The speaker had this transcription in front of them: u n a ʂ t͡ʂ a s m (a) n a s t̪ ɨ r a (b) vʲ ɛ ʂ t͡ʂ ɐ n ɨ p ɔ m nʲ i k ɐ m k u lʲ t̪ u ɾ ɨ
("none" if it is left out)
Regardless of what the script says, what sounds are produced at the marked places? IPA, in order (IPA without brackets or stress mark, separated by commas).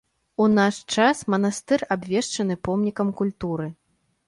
ɐ, b